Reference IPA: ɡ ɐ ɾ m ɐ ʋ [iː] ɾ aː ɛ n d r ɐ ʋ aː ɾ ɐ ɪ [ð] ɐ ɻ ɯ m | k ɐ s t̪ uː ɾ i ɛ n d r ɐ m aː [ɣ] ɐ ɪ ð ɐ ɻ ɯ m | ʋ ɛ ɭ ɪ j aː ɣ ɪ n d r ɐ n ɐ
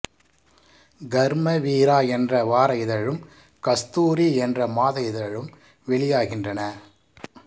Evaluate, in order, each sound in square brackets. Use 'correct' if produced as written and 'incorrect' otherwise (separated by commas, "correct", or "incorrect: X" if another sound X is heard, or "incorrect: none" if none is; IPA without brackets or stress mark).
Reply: correct, correct, incorrect: ð